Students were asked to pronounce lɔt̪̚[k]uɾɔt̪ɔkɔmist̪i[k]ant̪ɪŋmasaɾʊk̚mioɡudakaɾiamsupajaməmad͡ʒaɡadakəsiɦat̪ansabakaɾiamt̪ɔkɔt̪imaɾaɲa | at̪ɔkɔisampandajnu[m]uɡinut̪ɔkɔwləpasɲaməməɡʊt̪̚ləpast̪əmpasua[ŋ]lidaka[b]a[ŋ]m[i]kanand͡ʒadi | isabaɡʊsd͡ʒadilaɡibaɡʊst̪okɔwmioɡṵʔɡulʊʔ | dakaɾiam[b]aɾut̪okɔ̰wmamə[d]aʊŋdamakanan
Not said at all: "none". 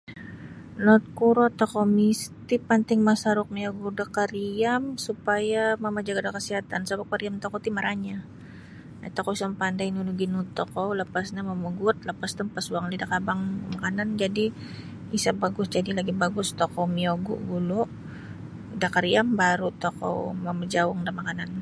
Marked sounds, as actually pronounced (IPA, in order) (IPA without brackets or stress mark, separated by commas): k, p, n, ŋ, b, ŋ, a, b, d͡ʒ